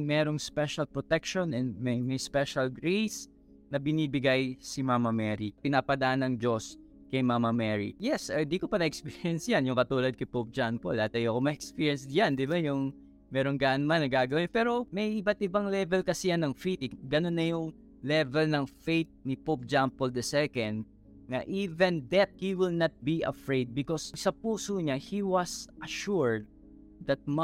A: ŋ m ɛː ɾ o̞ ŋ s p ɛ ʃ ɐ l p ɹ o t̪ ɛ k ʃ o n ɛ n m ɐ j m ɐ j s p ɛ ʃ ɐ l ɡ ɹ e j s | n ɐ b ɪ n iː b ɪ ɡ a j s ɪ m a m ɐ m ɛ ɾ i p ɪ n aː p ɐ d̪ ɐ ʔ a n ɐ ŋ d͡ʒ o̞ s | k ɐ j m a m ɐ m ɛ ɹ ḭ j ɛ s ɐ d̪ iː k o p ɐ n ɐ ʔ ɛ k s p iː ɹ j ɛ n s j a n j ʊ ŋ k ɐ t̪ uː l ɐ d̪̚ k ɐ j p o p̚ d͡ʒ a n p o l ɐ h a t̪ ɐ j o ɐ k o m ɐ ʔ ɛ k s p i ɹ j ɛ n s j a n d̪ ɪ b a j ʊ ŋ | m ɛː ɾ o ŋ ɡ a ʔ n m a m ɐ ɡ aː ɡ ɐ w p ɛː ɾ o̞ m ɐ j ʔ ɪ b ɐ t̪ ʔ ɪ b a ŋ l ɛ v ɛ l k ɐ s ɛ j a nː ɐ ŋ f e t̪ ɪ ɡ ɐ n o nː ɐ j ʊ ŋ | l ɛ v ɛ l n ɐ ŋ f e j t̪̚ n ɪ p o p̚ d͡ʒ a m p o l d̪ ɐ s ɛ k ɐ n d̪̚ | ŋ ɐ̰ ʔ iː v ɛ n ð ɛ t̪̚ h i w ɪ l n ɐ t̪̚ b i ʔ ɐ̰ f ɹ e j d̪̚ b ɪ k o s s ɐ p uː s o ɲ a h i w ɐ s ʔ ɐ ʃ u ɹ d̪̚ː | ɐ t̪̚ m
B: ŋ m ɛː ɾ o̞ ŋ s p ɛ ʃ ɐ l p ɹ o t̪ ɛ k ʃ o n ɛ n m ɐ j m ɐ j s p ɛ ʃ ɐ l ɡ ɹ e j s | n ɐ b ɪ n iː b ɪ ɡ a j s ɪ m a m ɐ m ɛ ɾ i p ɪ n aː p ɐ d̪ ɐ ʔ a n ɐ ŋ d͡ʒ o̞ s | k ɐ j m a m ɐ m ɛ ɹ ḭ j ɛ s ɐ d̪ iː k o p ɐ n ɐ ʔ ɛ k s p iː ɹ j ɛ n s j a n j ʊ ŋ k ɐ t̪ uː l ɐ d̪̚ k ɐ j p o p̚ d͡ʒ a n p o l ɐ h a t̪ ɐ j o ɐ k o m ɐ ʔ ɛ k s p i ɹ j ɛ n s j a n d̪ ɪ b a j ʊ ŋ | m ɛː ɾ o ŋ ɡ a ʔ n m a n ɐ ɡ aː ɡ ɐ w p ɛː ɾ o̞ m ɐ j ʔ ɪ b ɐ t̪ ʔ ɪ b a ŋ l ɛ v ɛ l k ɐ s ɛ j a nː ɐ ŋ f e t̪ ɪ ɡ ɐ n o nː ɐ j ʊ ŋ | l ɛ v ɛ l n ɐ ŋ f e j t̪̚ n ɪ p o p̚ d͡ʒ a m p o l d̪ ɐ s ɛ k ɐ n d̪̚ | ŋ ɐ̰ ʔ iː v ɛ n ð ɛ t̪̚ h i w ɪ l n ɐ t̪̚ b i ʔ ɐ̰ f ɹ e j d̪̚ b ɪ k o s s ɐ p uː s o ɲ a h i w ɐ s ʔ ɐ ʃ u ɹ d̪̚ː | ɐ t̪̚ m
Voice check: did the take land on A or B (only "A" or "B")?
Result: B